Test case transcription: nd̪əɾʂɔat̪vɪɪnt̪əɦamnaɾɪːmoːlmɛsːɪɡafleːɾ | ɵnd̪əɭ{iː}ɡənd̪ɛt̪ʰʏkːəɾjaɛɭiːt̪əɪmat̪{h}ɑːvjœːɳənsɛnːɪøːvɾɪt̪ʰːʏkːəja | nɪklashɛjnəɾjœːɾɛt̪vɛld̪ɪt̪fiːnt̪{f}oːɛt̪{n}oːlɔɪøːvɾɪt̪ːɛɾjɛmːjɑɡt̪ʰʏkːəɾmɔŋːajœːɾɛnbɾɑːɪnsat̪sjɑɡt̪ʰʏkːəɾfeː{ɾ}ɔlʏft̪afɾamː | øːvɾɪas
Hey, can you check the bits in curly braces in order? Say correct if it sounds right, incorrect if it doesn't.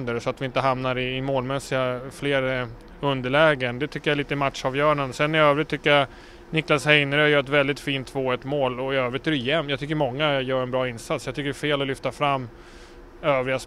incorrect: ɛː, incorrect: ʂ, incorrect: v, incorrect: m, incorrect: l

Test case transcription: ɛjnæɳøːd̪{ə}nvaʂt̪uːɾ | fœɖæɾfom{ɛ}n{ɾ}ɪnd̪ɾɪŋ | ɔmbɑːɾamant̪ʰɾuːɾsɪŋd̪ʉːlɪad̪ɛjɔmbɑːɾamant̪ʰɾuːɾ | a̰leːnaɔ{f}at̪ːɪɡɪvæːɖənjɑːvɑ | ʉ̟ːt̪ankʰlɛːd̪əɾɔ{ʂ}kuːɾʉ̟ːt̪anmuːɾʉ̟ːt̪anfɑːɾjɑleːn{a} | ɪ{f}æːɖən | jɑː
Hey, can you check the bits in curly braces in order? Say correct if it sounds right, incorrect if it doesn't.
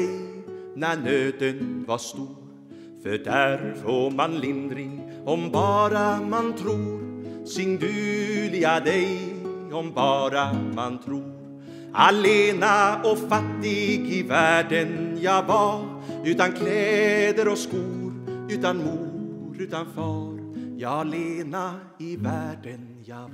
correct, incorrect: a, incorrect: l, correct, incorrect: s, correct, incorrect: v

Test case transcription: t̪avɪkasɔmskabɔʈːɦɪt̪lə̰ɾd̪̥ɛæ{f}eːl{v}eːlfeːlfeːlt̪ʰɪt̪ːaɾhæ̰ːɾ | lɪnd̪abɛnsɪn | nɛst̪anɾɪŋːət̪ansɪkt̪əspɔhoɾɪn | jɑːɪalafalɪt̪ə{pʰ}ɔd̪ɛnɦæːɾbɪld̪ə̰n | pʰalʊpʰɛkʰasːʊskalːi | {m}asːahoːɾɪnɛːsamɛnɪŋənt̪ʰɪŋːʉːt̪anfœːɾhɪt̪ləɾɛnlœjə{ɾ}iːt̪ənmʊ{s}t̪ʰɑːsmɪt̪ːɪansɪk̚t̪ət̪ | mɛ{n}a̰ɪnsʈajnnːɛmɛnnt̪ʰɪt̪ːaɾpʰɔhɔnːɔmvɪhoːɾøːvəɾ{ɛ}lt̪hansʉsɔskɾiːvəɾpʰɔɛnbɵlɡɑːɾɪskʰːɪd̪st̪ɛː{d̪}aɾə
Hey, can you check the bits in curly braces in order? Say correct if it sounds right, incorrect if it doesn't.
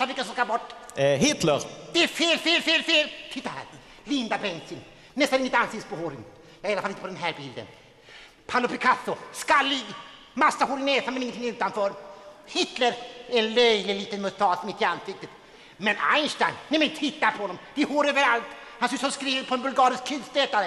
correct, incorrect: f, incorrect: p, correct, incorrect: l, correct, correct, incorrect: a, incorrect: t̪

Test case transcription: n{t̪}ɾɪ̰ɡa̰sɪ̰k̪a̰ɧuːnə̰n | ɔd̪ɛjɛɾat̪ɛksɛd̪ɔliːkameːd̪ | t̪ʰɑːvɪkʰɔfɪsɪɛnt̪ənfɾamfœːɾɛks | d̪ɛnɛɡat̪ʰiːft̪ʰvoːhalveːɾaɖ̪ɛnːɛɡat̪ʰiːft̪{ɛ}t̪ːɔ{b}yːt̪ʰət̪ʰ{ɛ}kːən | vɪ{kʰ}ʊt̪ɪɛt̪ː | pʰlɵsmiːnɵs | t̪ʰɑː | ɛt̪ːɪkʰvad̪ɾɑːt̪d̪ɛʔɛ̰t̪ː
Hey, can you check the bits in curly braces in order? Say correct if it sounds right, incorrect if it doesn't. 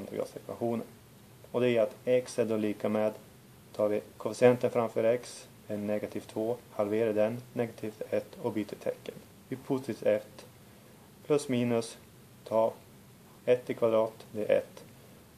incorrect: d̪, correct, correct, correct, incorrect: pʰ

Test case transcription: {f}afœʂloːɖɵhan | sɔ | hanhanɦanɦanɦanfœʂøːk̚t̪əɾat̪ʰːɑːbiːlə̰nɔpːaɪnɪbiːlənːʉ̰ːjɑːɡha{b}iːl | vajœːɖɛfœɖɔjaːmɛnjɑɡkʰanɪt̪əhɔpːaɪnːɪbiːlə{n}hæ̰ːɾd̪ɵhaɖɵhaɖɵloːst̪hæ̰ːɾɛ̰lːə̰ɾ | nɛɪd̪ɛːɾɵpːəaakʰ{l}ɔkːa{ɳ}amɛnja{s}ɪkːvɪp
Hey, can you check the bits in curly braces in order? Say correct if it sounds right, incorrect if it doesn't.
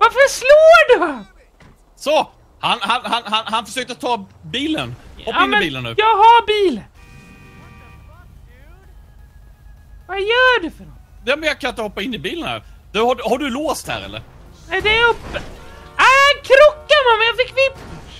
incorrect: v, correct, correct, incorrect: ɾ, incorrect: m, incorrect: f

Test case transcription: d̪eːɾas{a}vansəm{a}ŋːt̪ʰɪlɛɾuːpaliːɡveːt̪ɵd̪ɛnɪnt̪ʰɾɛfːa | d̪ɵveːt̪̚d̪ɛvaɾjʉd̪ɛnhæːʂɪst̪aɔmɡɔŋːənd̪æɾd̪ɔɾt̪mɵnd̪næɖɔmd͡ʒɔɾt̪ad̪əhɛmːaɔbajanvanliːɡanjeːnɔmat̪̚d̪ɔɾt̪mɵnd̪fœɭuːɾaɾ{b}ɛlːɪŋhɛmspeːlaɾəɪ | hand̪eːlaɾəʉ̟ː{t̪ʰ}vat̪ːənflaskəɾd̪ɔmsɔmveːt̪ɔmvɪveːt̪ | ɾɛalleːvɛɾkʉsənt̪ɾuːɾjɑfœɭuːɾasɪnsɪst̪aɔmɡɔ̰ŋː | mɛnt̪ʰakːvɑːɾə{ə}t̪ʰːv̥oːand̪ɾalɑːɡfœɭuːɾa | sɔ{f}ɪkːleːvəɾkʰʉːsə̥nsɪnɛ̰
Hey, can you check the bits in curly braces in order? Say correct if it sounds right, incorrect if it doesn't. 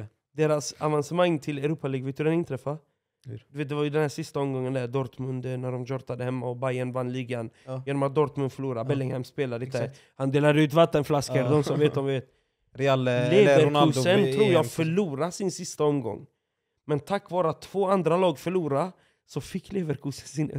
correct, correct, correct, incorrect: t̪, incorrect: a, correct

